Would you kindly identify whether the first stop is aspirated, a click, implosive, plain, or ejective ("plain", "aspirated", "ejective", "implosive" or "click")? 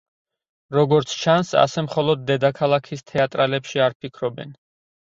plain